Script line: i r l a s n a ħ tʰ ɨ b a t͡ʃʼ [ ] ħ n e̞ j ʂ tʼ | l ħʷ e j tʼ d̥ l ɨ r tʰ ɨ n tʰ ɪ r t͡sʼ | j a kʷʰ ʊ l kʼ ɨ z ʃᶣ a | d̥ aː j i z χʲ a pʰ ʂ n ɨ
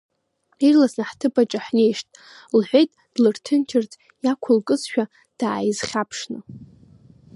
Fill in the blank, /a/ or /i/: a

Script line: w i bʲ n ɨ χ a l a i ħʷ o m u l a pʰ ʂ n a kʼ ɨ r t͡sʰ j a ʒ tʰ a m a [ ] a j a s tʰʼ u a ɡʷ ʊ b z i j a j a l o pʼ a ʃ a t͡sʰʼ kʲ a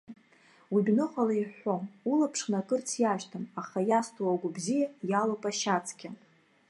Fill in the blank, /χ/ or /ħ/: χ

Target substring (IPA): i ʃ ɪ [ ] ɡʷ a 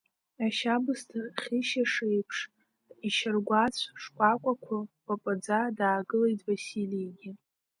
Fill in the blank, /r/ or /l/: r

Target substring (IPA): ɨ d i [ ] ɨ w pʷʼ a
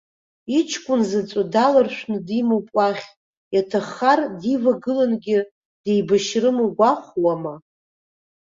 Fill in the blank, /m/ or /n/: m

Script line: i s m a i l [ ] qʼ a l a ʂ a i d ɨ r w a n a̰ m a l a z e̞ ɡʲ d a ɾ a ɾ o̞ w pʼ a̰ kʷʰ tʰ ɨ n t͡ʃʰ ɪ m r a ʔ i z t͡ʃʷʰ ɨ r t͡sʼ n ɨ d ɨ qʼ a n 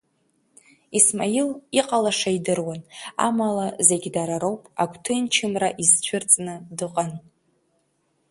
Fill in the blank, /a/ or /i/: i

